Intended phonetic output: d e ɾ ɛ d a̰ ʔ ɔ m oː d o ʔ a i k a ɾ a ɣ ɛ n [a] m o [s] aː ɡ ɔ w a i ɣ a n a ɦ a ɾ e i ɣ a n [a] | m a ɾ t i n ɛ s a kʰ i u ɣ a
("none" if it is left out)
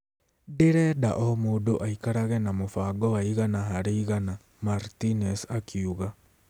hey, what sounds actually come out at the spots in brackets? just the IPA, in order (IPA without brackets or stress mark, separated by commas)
a, f, a